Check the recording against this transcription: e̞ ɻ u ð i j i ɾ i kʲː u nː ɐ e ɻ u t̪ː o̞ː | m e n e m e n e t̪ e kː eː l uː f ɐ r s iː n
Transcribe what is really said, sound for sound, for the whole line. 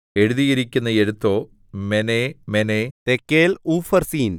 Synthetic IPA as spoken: e̞ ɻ u ð i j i ɾ i kʲː u nː ɐ e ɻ u t̪ː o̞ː | m e n e m e n e t̪ e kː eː l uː f ɐ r s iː n